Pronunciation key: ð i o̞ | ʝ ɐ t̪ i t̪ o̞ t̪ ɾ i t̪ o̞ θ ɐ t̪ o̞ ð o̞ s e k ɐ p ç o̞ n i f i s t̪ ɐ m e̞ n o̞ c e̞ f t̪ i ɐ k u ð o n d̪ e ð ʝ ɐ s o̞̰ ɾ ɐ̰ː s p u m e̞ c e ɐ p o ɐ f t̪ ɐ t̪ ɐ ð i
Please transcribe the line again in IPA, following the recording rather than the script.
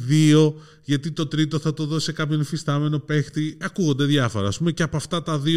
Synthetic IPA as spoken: ð i o̞ | ʝ ɐ t̪ i t̪ o̞ t̪ ɾ i t̪ o̞ θ ɐ t̪ o̞ ð o̞ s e k ɐ p ç o̞ n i f i s t̪ ɐ m e̞ n o̞ p e̞ x t̪ i ɐ k u ɣ o n d̪ e ð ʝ ɐ f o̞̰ ɾ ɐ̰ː s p u m e̞ c e ɐ p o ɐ f t̪ ɐ t̪ ɐ ð i